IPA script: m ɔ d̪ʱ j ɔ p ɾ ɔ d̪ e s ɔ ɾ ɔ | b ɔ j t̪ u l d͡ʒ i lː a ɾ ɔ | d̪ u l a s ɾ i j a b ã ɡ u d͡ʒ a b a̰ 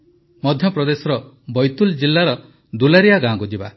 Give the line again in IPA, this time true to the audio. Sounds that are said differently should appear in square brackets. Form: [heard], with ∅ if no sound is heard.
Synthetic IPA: m ɔ d̪ʱ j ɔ p ɾ ɔ d̪ e s ɔ ɾ ɔ | b ɔ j t̪ u l d͡ʒ i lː a ɾ ɔ | d̪ u l a [∅] ɾ i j a [ɡ] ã ɡ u d͡ʒ [i] b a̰